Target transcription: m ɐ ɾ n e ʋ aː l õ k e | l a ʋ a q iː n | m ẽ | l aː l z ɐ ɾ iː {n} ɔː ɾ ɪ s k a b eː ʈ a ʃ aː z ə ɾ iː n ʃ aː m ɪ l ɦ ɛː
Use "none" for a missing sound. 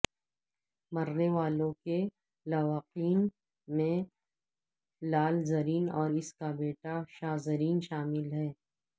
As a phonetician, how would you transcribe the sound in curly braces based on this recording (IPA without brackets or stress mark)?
n